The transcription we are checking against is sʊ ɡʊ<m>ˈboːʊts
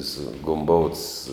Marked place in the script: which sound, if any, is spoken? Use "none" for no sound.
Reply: m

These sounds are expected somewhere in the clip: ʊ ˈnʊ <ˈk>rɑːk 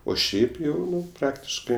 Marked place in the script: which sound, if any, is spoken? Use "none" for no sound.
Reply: p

